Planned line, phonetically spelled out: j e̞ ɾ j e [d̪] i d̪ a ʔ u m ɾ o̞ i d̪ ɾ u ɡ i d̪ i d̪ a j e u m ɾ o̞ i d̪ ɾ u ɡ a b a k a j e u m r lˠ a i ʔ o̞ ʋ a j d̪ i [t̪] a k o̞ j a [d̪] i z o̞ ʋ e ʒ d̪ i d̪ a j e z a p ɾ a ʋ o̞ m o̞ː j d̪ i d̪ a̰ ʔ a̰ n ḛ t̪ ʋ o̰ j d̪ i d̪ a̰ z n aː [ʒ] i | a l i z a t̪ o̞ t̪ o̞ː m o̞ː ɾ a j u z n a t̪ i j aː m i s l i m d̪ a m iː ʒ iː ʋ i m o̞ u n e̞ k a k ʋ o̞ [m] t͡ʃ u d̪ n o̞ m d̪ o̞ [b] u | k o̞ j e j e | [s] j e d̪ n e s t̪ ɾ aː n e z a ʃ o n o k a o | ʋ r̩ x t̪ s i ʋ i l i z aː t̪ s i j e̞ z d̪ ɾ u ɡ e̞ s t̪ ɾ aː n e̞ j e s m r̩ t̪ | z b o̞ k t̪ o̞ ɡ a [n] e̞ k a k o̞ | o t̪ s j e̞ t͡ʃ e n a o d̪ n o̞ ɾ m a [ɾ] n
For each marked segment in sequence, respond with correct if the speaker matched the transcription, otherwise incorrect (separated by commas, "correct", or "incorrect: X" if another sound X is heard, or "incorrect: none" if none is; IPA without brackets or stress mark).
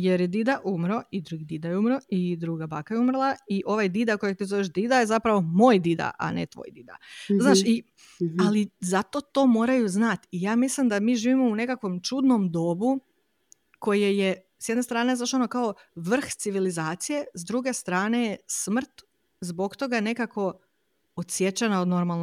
correct, incorrect: d̪, incorrect: t̪, incorrect: ʃ, correct, correct, correct, correct, incorrect: l